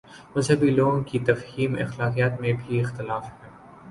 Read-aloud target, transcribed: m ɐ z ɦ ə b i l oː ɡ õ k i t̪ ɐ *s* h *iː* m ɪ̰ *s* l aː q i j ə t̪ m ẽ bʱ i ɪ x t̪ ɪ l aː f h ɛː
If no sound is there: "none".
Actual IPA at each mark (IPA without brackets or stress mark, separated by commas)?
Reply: f, iː, x